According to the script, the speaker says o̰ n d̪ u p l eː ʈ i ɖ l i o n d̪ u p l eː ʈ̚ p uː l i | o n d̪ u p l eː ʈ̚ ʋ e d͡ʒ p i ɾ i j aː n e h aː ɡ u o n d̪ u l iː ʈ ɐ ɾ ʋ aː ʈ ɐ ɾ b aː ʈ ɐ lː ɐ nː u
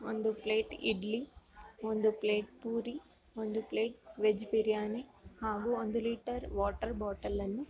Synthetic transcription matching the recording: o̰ n d̪ u p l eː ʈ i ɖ l i o n d̪ u p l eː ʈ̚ p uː ɾ i | o n d̪ u p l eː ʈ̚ ʋ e d͡ʒ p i ɾ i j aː n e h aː ɡ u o n d̪ u l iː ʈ ɐ ɾ ʋ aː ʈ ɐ ɾ b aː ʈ ɐ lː ɐ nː u